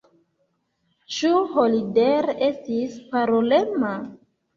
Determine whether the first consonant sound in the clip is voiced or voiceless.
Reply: voiceless